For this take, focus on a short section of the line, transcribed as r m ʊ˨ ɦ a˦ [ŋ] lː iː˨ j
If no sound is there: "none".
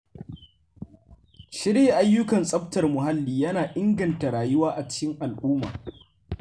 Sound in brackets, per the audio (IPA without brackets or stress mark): none